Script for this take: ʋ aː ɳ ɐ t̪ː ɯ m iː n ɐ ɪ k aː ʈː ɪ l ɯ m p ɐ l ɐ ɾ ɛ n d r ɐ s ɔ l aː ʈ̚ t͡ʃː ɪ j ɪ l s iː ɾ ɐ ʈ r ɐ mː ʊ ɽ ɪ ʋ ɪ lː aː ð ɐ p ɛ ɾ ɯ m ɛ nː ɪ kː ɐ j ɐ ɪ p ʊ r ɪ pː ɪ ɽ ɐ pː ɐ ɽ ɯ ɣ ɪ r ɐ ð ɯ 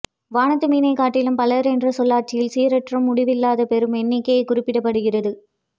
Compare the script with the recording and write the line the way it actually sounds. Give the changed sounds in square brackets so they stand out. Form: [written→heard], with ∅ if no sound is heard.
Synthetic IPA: ʋ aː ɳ ɐ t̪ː ɯ m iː n ɐ ɪ k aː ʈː ɪ l ɯ m p ɐ l ɐ ɾ ɛ n d r ɐ s ɔ [l→lː] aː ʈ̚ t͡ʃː ɪ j ɪ l s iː ɾ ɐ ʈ r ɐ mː ʊ ɽ ɪ ʋ ɪ lː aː ð ɐ p ɛ ɾ ɯ m ɛ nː ɪ kː ɐ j ɐ ɪ [p→k] ʊ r ɪ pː ɪ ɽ ɐ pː ɐ ɽ ɯ ɣ ɪ r ɐ ð ɯ